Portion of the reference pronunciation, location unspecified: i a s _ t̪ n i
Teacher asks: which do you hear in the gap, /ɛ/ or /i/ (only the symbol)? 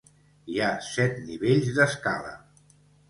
ɛ